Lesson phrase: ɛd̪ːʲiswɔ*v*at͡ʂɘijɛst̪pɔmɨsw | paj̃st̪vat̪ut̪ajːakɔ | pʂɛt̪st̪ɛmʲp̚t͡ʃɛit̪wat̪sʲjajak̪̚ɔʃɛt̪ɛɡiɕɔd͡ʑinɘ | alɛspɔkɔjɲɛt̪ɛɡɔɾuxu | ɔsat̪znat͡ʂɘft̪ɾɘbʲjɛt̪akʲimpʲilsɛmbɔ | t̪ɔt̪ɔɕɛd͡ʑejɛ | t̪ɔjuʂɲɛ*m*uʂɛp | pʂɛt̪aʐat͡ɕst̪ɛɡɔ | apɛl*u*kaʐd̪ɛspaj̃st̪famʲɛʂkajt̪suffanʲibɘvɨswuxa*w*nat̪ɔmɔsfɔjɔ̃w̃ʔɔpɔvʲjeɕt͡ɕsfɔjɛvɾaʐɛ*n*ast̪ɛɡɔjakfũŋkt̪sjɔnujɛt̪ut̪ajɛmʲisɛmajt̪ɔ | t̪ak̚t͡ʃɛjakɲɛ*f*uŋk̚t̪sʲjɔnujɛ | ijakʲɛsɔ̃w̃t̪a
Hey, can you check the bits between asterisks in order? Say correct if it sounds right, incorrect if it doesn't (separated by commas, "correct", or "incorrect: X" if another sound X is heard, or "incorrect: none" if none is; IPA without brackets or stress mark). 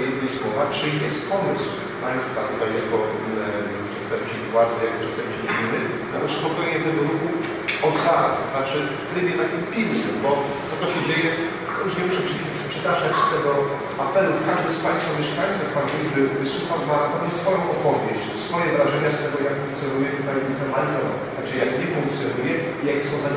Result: correct, correct, correct, correct, incorrect: ɲ, correct